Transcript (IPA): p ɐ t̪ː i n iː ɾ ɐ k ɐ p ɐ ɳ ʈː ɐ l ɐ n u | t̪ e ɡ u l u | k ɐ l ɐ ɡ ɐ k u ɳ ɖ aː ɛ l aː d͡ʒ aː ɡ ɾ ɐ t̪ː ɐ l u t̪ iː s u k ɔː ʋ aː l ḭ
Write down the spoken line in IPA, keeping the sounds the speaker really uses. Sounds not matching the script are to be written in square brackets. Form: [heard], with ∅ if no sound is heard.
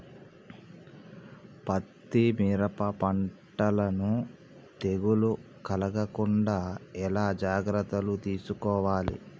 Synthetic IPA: p ɐ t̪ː i [m] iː ɾ ɐ [p] ɐ p ɐ ɳ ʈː ɐ l ɐ n u | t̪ e ɡ u l u | k ɐ l ɐ ɡ ɐ k u ɳ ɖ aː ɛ l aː d͡ʒ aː ɡ ɾ ɐ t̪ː ɐ l u t̪ iː s u k ɔː ʋ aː l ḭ